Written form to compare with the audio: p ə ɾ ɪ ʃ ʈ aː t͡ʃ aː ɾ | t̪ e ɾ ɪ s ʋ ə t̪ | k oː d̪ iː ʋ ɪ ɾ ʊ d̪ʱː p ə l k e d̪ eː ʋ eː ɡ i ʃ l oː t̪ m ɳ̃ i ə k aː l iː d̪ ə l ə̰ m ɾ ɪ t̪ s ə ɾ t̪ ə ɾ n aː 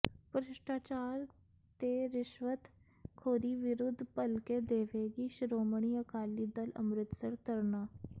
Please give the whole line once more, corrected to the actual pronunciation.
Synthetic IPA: p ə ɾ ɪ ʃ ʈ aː t͡ʃ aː ɾ | t̪ e ɾ ɪ ʃ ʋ ə t̪ | kʰ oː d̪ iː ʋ ɪ ɾ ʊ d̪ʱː p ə l k e d̪ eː ʋ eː ɡ i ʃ ɾ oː m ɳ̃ i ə k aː l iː d̪ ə l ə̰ m ɾ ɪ t̪ s ə ɾ t̪ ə ɾ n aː